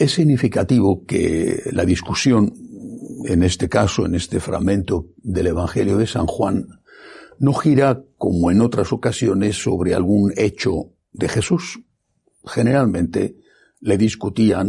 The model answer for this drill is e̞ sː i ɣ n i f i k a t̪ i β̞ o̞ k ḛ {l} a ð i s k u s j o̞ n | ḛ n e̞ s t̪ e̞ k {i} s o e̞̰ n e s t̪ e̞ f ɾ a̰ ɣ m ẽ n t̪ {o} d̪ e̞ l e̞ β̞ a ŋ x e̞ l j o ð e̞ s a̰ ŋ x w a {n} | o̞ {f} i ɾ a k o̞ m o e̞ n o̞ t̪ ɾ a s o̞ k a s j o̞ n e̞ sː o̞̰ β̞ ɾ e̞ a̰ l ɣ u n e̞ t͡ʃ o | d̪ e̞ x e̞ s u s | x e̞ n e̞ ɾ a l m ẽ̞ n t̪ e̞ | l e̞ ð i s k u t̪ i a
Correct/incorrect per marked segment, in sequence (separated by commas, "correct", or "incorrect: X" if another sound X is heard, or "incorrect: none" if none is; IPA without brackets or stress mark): correct, incorrect: a, correct, incorrect: nː, incorrect: x